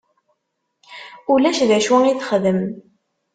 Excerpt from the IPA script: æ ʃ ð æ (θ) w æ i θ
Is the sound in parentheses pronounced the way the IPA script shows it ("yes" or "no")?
no